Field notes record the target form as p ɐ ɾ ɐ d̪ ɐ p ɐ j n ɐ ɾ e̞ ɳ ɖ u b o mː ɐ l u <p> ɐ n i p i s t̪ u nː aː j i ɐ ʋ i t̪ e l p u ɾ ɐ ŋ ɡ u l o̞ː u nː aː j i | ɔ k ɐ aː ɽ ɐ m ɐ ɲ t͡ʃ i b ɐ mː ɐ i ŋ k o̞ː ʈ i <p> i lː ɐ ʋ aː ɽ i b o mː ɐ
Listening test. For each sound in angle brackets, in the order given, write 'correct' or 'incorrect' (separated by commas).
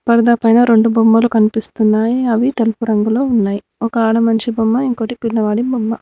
incorrect, correct